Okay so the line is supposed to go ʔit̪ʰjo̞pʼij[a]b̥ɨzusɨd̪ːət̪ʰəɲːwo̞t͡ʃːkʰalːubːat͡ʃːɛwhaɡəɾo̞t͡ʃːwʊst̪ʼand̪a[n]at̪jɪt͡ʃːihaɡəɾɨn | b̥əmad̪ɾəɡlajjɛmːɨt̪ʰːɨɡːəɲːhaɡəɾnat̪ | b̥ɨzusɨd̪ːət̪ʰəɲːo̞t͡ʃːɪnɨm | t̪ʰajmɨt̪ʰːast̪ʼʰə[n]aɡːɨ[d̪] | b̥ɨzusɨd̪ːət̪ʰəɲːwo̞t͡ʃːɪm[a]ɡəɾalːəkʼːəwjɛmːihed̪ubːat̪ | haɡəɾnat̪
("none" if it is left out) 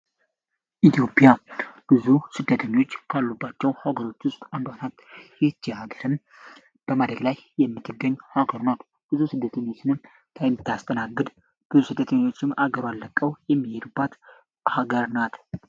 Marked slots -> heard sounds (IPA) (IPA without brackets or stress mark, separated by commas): a, n, n, d̪, a